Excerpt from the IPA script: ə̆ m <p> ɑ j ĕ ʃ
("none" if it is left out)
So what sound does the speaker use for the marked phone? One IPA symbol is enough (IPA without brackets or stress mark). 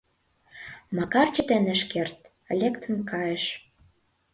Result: k